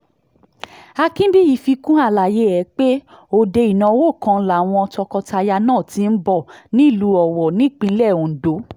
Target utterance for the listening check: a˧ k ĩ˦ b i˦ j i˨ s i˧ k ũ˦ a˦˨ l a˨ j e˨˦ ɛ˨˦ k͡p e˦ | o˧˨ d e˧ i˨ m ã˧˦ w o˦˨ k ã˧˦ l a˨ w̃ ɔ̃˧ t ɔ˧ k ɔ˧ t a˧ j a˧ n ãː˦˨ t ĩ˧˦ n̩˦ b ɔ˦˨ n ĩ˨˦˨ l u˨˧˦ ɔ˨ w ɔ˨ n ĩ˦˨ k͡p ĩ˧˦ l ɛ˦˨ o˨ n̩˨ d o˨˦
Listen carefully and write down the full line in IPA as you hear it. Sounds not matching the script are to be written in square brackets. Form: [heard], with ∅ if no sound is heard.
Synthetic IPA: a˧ k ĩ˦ b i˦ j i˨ [f] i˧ k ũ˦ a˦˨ l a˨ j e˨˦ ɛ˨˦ k͡p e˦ | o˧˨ d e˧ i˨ [n] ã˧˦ w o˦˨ k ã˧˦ l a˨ w̃ ɔ̃˧ t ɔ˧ k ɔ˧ t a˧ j a˧ n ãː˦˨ t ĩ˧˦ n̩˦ b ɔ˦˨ n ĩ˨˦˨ l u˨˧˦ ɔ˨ w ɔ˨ n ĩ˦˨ k͡p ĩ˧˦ l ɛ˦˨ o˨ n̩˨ d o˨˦